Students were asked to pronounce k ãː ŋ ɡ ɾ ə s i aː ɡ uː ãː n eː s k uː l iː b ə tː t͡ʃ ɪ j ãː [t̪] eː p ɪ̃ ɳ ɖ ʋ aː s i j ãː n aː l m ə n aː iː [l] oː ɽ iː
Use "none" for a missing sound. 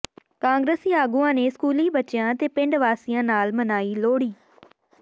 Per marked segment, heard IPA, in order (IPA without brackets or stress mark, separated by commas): t̪, l